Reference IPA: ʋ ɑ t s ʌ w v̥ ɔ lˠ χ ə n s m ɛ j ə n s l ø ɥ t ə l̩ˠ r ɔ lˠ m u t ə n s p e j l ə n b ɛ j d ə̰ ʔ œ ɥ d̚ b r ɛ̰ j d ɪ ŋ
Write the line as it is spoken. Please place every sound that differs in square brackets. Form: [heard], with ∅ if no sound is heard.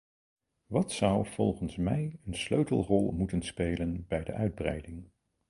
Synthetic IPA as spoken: ʋ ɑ t s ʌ w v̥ ɔ lˠ χ ə n s m ɛ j ə n s l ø ɥ t ə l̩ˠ r ɔ lˠ m u t ə n s p e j l ə n b ɛ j d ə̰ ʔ œ ɥ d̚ b r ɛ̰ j d ɪ ŋ